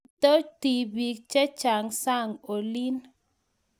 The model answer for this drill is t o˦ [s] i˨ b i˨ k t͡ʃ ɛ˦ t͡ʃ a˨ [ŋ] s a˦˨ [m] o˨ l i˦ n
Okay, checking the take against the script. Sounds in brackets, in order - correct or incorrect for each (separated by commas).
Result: incorrect, correct, incorrect